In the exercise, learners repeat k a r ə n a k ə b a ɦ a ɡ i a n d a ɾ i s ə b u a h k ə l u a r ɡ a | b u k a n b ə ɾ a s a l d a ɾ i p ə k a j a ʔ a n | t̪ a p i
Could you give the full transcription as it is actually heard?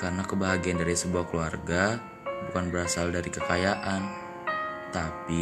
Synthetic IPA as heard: k a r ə n a k ə b a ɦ a ɡ i a n d a ɾ i s ə b u a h k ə l u a r ɡ a | b u k a n b ə ɾ a s a l d a ɾ i k ə k a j a ʔ a n | t̪ a p i